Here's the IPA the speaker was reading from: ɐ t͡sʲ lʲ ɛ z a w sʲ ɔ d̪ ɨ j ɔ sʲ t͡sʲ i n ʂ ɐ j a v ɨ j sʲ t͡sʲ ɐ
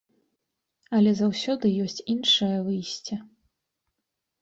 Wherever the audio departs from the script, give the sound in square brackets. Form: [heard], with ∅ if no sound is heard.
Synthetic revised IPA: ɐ [∅] lʲ ɛ z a w sʲ ɔ d̪ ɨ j ɔ sʲ t͡sʲ i n ʂ ɐ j [ɐ] v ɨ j sʲ t͡sʲ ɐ